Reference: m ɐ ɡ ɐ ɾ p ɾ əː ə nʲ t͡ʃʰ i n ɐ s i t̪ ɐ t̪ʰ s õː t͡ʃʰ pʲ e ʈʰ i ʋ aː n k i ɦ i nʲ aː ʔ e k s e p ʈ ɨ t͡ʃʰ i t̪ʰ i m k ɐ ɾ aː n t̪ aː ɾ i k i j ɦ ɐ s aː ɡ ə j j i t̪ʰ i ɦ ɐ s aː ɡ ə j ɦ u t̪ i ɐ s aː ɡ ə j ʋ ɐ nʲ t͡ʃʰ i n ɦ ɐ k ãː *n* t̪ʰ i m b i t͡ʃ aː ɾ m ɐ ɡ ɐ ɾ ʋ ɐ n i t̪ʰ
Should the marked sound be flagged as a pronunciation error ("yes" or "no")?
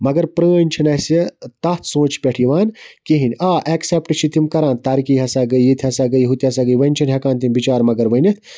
no